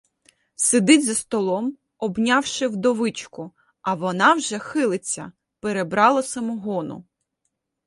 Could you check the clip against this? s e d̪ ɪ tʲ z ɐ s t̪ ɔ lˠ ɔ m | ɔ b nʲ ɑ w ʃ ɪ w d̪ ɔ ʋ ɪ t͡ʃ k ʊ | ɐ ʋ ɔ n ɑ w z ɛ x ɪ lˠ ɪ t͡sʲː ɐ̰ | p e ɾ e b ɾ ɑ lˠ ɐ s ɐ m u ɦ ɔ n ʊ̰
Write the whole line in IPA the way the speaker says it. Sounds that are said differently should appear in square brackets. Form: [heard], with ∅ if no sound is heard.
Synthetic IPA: s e d̪ ɪ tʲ z ɐ s t̪ ɔ lˠ ɔ m | ɔ b nʲ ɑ w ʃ ɪ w d̪ ɔ ʋ ɪ t͡ʃ k ʊ | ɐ ʋ ɔ n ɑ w [ʒ] ɛ x ɪ lˠ ɪ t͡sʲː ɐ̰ | p e ɾ e b ɾ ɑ lˠ ɐ s ɐ m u ɦ ɔ n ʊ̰